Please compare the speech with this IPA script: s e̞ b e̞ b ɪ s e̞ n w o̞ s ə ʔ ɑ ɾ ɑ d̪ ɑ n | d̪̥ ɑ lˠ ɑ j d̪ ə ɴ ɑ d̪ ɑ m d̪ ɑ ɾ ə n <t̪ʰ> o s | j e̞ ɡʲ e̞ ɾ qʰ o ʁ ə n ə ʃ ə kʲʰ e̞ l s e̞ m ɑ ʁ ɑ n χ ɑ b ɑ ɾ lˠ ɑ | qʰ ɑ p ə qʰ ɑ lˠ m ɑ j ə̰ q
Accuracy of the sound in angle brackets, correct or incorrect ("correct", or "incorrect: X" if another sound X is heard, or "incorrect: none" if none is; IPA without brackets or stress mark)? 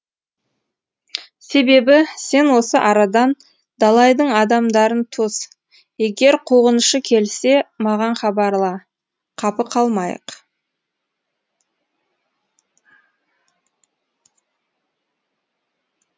correct